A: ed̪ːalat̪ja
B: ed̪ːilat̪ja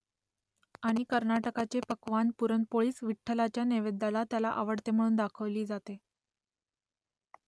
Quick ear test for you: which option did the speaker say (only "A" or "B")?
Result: A